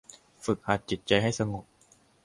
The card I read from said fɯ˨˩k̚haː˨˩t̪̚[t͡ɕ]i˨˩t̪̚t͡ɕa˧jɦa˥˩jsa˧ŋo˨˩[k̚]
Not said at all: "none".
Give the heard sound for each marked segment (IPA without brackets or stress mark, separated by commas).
t͡ɕ, p̚